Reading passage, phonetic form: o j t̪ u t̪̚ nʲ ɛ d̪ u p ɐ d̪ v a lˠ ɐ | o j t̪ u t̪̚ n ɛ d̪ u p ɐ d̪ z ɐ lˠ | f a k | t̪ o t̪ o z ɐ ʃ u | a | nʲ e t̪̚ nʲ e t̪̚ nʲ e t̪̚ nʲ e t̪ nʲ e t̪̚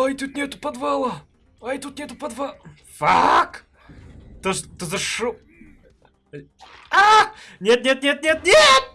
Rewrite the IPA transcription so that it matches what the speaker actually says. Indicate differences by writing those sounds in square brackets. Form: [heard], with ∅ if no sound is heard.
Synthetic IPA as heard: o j t̪ u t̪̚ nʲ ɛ [t̪] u p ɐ d̪ v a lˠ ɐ | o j t̪ u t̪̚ n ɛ [t̪] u p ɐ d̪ [v] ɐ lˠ | f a k | t̪ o t̪ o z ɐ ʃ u | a | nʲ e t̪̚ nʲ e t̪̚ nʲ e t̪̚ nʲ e t̪ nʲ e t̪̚